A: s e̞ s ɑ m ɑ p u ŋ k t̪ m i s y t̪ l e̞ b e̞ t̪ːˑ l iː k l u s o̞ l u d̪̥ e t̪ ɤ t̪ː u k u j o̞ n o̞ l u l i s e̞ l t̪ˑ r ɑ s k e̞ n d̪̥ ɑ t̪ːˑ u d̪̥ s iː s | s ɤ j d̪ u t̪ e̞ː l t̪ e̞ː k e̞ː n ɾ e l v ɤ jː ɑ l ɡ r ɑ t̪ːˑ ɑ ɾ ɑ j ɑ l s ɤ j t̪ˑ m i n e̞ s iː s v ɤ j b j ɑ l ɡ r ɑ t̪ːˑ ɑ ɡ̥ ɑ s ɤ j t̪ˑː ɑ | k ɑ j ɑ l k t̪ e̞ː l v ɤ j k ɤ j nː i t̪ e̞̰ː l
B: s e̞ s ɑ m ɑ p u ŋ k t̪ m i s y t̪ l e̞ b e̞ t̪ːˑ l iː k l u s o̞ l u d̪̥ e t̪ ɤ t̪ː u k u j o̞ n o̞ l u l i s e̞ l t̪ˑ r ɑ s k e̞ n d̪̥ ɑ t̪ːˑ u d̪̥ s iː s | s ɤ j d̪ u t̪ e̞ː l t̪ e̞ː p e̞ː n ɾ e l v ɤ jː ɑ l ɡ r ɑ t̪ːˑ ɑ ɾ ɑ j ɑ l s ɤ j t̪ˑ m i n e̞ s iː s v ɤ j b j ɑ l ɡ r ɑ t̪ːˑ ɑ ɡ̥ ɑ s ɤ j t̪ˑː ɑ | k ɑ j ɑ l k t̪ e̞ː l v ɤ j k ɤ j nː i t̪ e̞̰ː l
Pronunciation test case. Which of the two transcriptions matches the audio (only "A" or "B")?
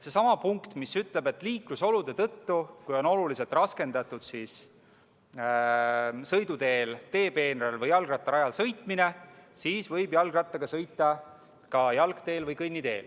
B